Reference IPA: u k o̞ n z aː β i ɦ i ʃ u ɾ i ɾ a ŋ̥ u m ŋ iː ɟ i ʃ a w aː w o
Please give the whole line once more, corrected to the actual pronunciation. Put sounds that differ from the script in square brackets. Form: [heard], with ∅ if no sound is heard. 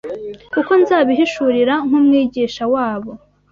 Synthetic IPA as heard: u k o̞ n z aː β i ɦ i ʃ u ɾ i ɾ a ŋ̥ u m ŋ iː ɟ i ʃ a w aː [β] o